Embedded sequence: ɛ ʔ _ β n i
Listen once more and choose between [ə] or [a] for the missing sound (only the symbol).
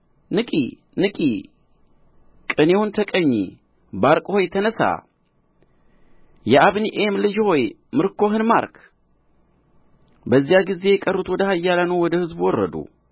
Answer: a